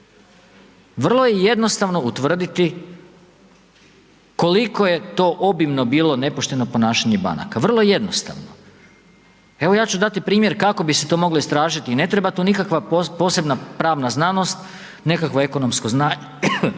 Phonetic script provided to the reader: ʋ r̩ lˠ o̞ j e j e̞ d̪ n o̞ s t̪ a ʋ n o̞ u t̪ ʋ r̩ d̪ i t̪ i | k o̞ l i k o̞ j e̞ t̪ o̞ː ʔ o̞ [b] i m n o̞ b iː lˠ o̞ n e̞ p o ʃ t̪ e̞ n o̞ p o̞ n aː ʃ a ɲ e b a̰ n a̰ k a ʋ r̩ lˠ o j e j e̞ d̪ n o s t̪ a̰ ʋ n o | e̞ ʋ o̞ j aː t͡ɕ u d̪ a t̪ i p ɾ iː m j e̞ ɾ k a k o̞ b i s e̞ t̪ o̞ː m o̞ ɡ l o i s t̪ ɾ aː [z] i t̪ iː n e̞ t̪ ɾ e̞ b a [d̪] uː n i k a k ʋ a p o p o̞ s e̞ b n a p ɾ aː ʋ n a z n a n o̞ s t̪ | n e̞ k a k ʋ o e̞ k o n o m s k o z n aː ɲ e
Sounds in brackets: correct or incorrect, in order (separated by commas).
correct, incorrect, incorrect